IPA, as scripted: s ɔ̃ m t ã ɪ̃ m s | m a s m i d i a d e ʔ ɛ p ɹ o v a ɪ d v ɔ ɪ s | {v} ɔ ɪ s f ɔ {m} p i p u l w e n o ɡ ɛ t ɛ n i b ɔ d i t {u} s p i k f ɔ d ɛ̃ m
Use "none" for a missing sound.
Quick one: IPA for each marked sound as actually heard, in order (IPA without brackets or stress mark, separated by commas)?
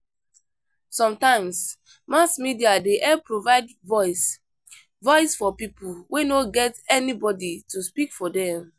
v, none, u